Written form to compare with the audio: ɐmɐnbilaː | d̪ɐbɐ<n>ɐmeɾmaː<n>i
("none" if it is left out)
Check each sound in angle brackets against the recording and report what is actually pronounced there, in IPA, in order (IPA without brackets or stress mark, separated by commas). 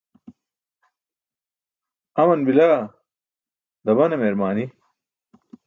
n, n